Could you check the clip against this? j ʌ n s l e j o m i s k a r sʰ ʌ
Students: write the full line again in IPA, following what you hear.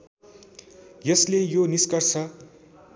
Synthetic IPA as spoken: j ʌ s l e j o n i s k ʌ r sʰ ʌ